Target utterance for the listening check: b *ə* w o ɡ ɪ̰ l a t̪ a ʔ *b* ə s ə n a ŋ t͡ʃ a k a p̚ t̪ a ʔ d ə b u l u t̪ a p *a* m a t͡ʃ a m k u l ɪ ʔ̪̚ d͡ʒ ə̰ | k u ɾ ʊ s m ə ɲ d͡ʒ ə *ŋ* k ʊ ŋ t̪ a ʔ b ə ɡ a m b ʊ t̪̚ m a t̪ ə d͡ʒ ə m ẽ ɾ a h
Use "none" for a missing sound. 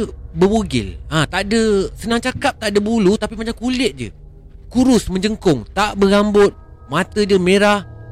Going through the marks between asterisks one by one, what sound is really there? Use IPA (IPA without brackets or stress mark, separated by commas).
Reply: ə, d, i, ŋ